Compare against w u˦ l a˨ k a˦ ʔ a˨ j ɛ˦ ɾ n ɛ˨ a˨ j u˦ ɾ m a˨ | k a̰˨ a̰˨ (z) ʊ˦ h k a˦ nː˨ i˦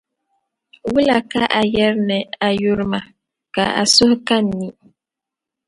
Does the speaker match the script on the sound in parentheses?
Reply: no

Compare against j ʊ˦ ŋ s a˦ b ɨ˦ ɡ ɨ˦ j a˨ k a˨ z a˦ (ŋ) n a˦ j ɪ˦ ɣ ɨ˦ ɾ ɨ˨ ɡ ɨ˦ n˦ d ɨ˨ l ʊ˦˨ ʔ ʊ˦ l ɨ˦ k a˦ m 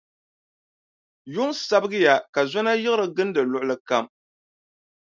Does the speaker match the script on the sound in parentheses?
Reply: no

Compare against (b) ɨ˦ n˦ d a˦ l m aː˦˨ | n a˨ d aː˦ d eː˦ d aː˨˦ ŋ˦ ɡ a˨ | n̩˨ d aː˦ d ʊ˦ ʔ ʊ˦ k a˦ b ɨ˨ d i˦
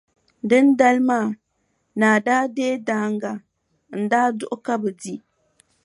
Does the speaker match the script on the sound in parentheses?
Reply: no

